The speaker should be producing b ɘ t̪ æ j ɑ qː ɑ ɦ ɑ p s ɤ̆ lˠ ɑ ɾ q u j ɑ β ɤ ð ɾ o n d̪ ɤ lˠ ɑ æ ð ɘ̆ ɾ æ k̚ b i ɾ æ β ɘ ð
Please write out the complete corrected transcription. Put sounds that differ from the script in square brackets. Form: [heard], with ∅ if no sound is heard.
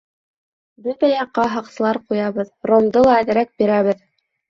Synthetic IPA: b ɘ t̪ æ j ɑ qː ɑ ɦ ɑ [q] s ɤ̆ lˠ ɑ ɾ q u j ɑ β ɤ ð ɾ o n d̪ ɤ lˠ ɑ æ ð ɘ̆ ɾ æ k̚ b i ɾ æ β ɘ ð